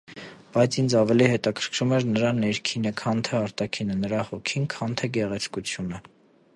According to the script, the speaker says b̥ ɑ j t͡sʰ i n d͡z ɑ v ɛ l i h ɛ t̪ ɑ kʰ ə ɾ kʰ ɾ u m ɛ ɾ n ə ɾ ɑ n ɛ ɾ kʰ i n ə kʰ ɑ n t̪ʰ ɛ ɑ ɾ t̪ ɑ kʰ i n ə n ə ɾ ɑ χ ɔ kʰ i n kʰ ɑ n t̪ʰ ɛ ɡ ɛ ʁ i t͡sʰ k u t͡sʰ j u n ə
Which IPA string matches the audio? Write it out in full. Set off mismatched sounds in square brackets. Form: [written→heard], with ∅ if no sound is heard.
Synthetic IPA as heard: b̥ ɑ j t͡sʰ i n d͡z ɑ v ɛ l i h ɛ t̪ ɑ kʰ ə ɾ kʰ ɾ u m ɛ ɾ n ə ɾ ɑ n ɛ ɾ kʰ i n ə kʰ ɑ n t̪ʰ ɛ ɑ ɾ t̪ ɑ kʰ i n ə n ə ɾ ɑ [χ→h] ɔ kʰ i n kʰ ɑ n t̪ʰ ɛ ɡ ɛ ʁ [i→ɛ] t͡sʰ k u t͡sʰ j u n ə

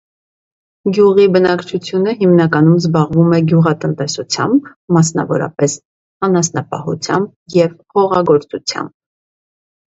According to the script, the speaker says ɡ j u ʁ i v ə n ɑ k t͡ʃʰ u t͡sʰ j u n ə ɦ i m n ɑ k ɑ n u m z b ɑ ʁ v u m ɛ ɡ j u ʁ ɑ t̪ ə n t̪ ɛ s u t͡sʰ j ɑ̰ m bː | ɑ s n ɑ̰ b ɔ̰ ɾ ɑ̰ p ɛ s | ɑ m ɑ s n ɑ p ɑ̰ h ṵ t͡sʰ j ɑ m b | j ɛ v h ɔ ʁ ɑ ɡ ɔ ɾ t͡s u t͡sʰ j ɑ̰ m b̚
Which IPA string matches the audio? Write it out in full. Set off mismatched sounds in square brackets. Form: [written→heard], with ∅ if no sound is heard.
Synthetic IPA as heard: ɡ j u ʁ i [v→b] ə n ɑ k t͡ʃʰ u t͡sʰ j u n ə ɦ i m n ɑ k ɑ n u m z b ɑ ʁ v u m ɛ ɡ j u ʁ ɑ t̪ ə n t̪ ɛ s u t͡sʰ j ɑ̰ m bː | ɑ s n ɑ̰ [b→v] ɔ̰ ɾ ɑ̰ p ɛ s | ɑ [m→n] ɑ s n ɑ p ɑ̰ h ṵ t͡sʰ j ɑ m b | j ɛ v h ɔ ʁ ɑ ɡ ɔ ɾ t͡s u t͡sʰ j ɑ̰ m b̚

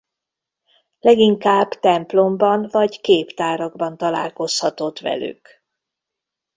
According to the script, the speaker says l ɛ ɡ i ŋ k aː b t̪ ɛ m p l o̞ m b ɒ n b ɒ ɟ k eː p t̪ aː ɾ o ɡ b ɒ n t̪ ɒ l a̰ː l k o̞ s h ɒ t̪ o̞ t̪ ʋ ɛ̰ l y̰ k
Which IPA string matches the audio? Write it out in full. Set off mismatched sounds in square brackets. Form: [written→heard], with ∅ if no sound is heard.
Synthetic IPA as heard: l ɛ ɡ i ŋ k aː b t̪ ɛ m p l o̞ m b ɒ n [b→v] ɒ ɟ k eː p t̪ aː ɾ [o→ɒ] ɡ b ɒ n t̪ ɒ l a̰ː l k o̞ s h ɒ t̪ o̞ t̪ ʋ ɛ̰ l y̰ k

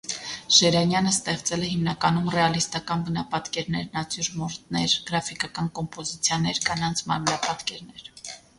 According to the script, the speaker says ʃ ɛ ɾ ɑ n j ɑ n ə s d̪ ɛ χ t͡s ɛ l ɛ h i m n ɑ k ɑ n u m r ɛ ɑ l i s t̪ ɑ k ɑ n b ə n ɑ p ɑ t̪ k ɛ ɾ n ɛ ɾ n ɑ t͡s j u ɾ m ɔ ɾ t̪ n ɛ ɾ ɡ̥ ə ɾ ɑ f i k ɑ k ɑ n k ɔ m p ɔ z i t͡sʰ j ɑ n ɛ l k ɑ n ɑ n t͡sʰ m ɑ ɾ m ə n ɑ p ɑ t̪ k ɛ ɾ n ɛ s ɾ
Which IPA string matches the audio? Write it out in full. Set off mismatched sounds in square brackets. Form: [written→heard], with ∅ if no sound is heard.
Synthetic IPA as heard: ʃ ɛ ɾ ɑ n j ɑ n ə s [d̪→t̪] ɛ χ t͡s ɛ l ɛ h i m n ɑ k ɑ n u m r ɛ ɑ l i s t̪ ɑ k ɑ n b ə n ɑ p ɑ t̪ k ɛ ɾ n ɛ ɾ n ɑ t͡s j u ɾ m ɔ ɾ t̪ n ɛ ɾ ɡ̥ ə ɾ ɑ f i k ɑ k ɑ n k ɔ m p ɔ z i t͡sʰ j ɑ n ɛ [l→ɾ] k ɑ n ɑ n t͡sʰ m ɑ ɾ m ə n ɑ p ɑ t̪ k ɛ ɾ n ɛ [s→∅] ɾ

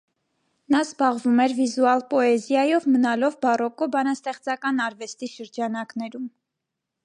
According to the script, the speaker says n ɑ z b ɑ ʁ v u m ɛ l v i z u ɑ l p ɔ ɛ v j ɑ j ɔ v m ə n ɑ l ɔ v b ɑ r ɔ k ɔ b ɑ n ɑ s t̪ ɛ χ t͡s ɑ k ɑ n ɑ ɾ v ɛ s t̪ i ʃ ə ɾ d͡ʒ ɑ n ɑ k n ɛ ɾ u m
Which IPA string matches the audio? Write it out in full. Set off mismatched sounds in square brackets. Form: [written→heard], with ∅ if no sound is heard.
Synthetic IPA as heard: n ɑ z b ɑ ʁ v u m ɛ [l→ɾ] v i z u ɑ l p ɔ ɛ [v→z] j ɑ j ɔ v m ə n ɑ l ɔ v b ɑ r ɔ k ɔ b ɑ n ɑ s t̪ ɛ χ t͡s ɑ k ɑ n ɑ ɾ v ɛ s t̪ i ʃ ə ɾ d͡ʒ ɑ n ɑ k n ɛ ɾ u m

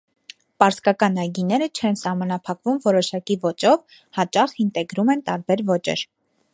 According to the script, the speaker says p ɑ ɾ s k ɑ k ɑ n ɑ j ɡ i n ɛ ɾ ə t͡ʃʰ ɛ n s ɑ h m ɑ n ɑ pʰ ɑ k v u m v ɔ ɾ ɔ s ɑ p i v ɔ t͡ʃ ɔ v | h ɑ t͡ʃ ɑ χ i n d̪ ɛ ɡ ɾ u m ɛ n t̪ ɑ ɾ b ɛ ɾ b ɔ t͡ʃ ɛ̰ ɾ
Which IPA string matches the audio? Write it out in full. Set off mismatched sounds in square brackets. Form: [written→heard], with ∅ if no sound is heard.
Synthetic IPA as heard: p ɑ ɾ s k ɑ k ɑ n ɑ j ɡ i n ɛ ɾ ə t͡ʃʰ ɛ n s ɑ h m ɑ n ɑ pʰ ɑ k v u m v ɔ ɾ ɔ [s→ʃ] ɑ [p→k] i v ɔ t͡ʃ ɔ v | h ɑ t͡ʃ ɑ χ i n [d̪→t̪] ɛ ɡ ɾ u m ɛ n t̪ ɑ ɾ b ɛ ɾ [b→v] ɔ t͡ʃ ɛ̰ ɾ

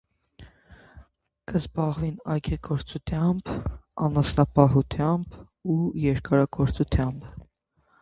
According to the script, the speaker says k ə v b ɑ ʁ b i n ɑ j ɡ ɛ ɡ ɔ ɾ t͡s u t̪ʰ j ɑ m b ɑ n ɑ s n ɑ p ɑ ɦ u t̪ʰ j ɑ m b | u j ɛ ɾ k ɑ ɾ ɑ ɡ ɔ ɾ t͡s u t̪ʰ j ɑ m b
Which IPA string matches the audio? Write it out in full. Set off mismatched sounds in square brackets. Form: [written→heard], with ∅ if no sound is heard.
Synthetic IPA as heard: k ə [v→z] b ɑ ʁ [b→v] i n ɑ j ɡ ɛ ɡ ɔ ɾ t͡s u t̪ʰ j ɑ m b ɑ n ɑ s n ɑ p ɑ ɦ u t̪ʰ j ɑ m b | u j ɛ ɾ k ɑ ɾ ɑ ɡ ɔ ɾ t͡s u t̪ʰ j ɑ m b

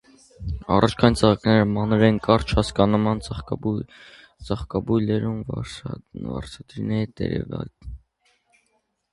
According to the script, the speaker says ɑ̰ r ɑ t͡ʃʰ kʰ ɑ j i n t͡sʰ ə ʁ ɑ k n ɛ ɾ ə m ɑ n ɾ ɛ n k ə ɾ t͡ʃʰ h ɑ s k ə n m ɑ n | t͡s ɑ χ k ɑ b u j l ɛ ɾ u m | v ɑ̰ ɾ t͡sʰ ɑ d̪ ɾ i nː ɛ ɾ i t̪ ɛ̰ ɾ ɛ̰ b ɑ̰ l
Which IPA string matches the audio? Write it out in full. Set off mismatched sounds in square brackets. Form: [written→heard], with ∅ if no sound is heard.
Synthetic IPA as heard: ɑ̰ r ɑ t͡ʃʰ kʰ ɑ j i n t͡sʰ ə ʁ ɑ k n ɛ ɾ ə m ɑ n ɾ ɛ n k [ə→ɑ] ɾ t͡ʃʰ h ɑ s k [ə→ɑ] n m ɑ n | t͡s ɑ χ k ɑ b u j l ɛ ɾ u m | v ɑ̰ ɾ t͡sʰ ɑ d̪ ɾ i [nː→n] ɛ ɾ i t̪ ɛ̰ ɾ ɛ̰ [b→v] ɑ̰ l

